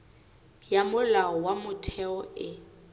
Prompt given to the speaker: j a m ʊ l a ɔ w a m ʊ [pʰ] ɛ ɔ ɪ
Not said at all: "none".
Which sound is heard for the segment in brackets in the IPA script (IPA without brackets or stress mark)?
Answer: tʰ